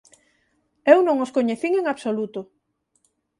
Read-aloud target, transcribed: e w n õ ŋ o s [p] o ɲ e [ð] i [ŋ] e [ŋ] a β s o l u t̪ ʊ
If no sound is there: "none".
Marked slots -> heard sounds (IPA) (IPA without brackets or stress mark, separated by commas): k, θ, ŋ, ŋ